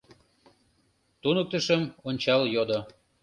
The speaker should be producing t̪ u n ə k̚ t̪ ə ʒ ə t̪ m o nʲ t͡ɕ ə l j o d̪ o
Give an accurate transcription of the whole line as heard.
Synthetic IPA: t̪ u n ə k̚ t̪ ə ʃ ə m o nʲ t͡ɕ ɑ l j o d̪ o